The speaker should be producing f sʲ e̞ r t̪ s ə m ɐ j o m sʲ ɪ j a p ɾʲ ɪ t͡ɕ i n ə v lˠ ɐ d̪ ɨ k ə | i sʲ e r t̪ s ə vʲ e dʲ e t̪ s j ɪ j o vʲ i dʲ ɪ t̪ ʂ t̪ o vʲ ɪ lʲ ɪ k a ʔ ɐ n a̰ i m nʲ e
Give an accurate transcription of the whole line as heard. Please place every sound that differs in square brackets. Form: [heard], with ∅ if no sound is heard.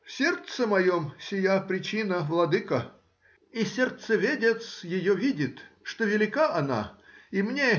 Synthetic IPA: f sʲ e̞ r t̪ s ə m ɐ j o m sʲ ɪ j a p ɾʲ ɪ t͡ɕ i n ə v lˠ ɐ d̪ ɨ k ə | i sʲ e r t̪ s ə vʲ e dʲ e t̪ s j ɪ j o vʲ i dʲ ɪ t̪ ʂ t̪ o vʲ ɪ lʲ ɪ k a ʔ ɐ n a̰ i m nʲ e